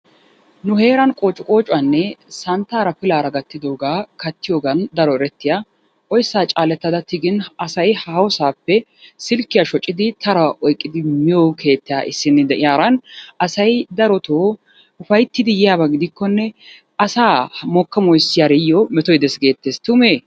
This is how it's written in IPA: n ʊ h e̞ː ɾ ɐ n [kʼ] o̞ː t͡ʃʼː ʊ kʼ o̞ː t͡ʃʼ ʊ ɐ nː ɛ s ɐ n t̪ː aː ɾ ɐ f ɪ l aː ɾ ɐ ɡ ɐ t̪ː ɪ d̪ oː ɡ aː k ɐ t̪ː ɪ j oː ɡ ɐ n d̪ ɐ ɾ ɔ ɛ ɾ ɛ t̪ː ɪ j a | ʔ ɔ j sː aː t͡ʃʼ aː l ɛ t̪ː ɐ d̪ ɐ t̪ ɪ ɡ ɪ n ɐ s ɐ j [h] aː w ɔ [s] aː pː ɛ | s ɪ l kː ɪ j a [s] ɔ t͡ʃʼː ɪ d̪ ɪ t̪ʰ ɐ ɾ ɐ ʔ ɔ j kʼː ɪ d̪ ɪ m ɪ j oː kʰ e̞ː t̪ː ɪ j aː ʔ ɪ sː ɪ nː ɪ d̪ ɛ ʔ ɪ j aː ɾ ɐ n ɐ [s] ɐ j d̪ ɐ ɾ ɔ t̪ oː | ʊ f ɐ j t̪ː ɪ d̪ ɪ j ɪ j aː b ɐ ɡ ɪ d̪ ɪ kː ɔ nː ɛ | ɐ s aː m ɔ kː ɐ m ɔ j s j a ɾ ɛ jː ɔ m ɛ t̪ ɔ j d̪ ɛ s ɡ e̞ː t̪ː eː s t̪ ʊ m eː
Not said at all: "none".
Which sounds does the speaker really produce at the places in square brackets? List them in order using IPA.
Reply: kʼ, h, s, ʃ, s

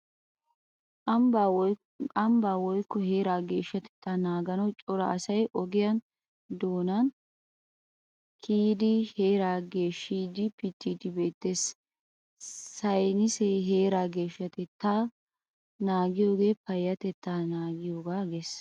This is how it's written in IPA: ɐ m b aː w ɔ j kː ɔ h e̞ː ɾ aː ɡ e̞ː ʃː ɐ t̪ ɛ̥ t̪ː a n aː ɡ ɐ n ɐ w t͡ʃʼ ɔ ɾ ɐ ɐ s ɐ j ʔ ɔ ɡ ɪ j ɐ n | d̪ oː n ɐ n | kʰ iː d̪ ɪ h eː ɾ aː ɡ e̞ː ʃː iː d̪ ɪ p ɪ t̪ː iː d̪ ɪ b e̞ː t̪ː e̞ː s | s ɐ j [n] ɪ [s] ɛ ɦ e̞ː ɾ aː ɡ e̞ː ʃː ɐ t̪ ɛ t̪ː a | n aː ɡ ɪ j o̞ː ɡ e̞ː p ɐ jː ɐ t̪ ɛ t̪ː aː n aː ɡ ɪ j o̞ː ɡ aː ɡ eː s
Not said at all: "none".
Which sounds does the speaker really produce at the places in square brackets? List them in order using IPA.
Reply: n, s

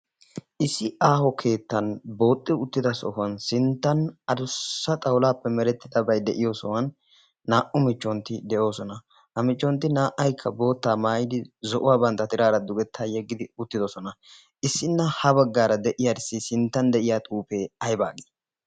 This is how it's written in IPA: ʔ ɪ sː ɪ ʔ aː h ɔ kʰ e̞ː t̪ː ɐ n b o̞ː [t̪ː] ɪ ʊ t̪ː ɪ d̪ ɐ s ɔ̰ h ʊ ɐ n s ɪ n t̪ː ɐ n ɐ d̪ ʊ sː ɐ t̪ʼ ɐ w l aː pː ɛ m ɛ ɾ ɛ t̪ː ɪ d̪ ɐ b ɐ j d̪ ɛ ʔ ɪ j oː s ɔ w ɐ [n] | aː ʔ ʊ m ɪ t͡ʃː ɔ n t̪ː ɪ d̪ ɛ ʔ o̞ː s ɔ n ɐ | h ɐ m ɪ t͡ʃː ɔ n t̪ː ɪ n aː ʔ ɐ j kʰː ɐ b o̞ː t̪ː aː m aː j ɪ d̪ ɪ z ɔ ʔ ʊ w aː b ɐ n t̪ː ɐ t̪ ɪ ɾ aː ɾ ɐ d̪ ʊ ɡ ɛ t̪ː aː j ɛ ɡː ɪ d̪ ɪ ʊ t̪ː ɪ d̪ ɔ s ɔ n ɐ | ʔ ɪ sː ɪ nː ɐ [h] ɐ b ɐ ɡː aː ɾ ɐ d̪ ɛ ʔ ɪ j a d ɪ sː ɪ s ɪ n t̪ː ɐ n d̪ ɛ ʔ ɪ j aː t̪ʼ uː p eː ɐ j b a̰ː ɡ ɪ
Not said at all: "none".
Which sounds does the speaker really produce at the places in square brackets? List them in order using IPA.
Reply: t̪ʼː, nː, h

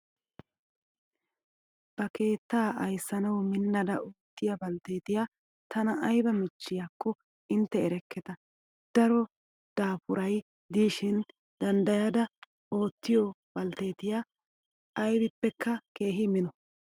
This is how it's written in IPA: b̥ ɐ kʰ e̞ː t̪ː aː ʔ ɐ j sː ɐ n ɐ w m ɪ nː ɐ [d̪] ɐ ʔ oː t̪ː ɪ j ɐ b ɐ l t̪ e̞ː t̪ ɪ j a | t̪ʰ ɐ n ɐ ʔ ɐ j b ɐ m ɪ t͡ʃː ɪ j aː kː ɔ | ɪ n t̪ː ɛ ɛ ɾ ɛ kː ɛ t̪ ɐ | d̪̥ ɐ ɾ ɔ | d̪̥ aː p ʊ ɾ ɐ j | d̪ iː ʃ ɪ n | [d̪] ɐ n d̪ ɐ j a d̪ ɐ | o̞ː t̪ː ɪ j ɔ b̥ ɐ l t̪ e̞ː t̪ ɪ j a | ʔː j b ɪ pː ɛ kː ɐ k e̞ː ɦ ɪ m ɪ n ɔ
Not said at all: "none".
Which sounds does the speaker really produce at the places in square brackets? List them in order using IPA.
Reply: d̪, d̪

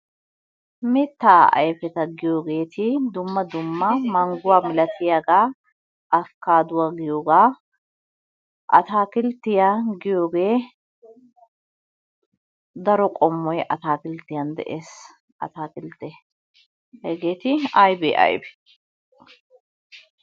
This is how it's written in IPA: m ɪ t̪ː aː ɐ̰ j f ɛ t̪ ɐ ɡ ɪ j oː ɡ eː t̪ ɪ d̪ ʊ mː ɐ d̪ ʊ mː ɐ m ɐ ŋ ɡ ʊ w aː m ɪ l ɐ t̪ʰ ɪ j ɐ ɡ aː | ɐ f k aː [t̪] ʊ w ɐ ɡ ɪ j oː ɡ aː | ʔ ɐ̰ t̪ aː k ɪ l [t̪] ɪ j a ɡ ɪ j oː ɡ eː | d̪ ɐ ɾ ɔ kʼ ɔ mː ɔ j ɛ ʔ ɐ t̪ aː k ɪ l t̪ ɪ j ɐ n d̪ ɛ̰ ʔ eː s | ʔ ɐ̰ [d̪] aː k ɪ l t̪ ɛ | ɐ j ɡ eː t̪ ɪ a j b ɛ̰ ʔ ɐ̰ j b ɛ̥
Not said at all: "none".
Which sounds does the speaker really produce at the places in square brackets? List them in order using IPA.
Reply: d̪, t̪, t̪

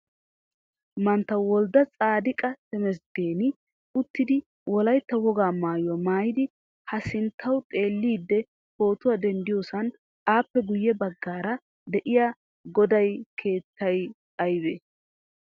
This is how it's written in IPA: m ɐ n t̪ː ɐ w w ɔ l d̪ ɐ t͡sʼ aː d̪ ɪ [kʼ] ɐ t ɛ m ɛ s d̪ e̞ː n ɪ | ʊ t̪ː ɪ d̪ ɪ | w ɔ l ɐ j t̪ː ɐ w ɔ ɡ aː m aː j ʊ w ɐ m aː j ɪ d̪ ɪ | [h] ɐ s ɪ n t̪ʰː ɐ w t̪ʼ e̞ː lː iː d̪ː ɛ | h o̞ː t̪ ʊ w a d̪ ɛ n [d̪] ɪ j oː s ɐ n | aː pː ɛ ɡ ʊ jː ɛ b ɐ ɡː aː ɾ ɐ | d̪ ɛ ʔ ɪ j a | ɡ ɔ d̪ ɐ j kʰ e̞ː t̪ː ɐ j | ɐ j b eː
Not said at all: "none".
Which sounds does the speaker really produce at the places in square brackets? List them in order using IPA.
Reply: kʼ, h, d̪

